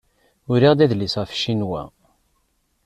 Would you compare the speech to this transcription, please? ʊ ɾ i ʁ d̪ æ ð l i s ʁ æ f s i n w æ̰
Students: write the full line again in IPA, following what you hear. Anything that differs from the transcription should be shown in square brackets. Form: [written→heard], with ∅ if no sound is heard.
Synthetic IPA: ʊ ɾ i ʁ d̪ æ ð l i s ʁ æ f [s→ʃ] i n w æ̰